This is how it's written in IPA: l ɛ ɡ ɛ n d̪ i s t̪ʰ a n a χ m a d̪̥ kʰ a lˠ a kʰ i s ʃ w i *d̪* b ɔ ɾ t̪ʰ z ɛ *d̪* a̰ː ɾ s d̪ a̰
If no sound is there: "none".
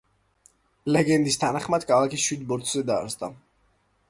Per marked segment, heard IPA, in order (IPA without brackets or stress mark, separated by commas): d̪, d̪